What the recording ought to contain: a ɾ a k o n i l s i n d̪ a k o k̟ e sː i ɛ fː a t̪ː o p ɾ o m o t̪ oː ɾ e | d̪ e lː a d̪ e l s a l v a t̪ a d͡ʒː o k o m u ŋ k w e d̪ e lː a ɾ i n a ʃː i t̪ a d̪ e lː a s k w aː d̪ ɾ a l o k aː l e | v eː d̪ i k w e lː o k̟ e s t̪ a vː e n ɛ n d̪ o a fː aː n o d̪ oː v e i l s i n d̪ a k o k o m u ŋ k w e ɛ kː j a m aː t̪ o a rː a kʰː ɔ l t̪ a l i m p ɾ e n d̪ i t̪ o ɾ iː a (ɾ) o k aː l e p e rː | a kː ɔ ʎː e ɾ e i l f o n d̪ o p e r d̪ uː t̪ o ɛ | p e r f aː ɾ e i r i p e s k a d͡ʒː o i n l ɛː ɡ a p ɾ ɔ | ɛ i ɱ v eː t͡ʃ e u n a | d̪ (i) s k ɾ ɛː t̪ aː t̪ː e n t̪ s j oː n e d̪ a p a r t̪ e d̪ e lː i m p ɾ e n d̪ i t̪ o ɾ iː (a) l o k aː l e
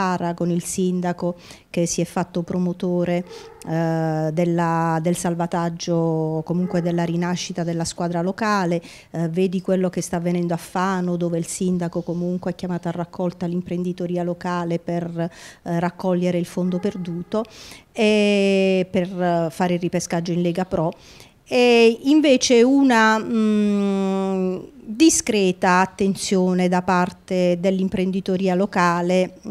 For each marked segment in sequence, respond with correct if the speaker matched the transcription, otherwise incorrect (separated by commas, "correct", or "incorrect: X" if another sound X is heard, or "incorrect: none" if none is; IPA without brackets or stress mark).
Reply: incorrect: l, correct, correct